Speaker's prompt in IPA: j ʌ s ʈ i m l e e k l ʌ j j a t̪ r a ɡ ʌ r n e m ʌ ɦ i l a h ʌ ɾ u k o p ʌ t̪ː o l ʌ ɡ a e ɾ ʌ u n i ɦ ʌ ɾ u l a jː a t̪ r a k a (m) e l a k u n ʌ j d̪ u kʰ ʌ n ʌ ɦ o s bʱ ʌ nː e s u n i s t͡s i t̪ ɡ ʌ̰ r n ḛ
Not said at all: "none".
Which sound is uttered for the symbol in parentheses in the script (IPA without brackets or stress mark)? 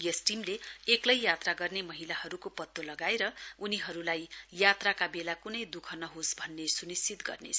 b